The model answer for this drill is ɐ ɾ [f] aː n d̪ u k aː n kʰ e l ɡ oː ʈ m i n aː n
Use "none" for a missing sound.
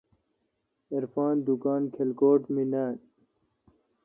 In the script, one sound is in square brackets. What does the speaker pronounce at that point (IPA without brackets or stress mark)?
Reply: f